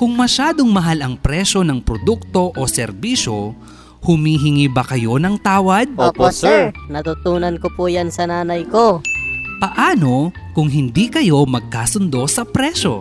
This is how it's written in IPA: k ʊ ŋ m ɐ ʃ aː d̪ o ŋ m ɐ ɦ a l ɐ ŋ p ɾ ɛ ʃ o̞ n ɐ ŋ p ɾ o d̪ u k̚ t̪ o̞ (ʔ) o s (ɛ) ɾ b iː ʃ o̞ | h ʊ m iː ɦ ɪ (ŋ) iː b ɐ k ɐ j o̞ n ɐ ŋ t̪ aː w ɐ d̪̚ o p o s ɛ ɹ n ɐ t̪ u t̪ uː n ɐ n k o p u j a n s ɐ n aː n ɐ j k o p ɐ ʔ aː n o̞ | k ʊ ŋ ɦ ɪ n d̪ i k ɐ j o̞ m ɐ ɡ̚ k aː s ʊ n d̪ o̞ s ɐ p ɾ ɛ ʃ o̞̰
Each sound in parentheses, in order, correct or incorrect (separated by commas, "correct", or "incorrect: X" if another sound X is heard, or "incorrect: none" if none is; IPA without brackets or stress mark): correct, correct, correct